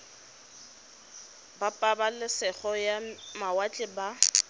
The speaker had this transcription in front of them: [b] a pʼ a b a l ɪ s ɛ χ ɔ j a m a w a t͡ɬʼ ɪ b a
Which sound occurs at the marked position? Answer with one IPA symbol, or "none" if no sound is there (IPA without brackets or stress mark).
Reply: b